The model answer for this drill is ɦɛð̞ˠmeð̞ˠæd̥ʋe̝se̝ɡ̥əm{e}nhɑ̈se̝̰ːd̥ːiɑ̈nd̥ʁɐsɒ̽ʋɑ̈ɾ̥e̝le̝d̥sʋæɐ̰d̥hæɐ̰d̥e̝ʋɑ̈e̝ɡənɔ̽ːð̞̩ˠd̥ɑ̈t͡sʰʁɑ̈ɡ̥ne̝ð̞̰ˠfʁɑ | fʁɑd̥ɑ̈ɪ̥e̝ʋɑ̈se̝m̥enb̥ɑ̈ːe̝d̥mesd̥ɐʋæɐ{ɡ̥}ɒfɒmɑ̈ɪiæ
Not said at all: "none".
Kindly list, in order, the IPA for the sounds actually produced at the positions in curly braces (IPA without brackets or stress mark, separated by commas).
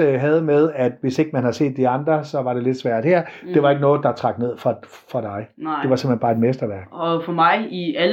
æ, ɡ̥